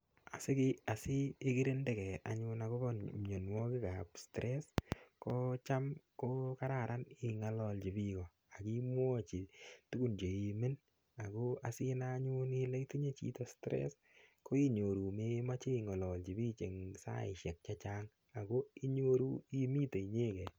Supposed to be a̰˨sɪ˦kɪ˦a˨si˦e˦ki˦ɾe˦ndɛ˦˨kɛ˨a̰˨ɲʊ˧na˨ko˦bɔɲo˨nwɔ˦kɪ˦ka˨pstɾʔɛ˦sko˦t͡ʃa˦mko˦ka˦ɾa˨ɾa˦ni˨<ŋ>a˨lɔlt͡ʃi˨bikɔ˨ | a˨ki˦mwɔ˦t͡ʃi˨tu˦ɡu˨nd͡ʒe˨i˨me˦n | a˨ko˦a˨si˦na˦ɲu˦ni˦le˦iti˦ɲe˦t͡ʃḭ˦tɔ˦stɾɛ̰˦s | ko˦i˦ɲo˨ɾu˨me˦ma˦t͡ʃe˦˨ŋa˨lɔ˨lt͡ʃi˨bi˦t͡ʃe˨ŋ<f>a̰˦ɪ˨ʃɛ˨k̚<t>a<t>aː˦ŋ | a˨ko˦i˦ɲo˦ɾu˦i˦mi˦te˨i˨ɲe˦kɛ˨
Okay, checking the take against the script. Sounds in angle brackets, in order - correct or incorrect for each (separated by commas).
correct, incorrect, incorrect, incorrect